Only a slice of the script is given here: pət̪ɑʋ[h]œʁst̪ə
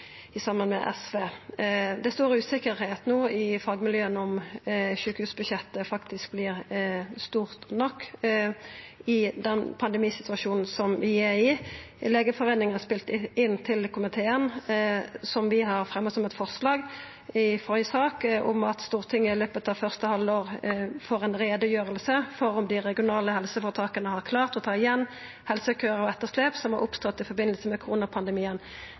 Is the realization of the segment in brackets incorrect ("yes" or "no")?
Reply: yes